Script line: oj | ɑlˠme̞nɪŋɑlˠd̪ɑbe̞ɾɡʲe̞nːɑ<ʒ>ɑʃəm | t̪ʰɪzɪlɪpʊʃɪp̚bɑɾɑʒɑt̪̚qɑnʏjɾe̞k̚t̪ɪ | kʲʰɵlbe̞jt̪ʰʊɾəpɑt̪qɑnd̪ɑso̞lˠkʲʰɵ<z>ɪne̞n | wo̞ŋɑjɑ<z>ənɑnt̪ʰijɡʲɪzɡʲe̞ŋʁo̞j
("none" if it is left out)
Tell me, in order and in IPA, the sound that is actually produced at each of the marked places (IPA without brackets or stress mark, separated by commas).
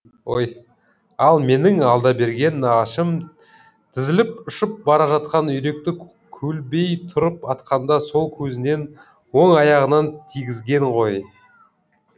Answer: ʁ, z, ʁ